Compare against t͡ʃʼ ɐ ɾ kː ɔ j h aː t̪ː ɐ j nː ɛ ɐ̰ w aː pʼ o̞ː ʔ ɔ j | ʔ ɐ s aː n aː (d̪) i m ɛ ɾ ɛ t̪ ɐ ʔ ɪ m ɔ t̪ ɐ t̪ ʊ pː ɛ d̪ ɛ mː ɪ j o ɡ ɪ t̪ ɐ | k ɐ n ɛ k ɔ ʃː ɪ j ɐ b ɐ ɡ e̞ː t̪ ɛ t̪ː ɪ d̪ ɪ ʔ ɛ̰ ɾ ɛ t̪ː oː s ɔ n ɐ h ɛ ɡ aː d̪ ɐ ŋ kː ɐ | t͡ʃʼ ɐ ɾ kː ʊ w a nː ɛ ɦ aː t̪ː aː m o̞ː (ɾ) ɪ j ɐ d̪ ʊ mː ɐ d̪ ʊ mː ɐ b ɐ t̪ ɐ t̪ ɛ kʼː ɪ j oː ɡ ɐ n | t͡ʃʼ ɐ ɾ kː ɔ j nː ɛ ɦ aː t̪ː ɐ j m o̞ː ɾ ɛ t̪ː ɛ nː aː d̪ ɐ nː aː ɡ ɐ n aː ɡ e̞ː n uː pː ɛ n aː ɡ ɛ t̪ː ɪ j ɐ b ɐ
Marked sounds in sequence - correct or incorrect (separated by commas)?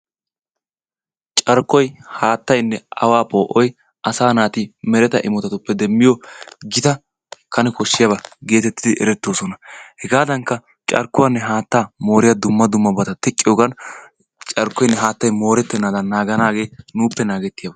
incorrect, correct